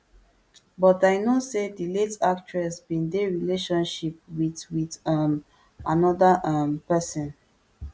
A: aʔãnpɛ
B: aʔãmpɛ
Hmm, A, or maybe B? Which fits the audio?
B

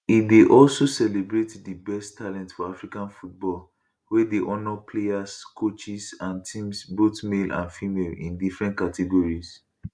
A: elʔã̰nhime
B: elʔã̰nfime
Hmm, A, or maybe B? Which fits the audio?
B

